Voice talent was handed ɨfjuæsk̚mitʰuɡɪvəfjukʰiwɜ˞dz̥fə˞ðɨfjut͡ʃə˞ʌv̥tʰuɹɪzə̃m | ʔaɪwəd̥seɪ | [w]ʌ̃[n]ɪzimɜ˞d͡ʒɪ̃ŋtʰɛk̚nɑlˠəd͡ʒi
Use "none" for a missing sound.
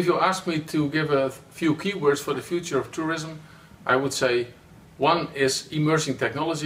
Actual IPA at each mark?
w, n

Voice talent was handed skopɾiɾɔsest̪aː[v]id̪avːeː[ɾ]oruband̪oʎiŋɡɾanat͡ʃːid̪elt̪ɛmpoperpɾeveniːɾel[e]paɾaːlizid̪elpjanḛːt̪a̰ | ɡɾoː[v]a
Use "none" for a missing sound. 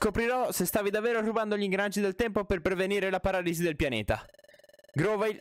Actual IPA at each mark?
v, ɾ, a, v

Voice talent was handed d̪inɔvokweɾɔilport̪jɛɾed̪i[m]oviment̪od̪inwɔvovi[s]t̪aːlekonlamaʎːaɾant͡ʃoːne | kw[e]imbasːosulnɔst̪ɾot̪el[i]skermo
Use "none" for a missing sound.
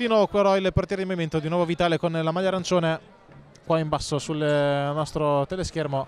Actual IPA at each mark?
m, none, a, e

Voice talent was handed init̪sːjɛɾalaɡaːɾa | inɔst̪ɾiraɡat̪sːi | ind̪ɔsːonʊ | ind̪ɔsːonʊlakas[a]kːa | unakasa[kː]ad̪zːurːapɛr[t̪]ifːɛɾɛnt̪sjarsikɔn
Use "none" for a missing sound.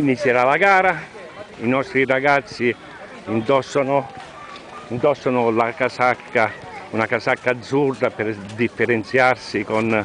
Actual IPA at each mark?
a, kː, d̪

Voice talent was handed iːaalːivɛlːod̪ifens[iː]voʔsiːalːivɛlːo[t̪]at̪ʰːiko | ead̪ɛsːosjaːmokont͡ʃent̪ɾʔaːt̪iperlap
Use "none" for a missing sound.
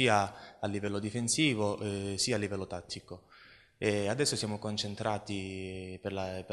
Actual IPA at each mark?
iː, t̪

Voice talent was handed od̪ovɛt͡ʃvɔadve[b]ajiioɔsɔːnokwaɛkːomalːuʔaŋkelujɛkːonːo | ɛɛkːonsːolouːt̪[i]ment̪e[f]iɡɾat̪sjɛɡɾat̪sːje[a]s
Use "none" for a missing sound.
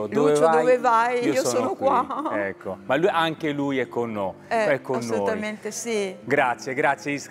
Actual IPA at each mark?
v, a, s, i

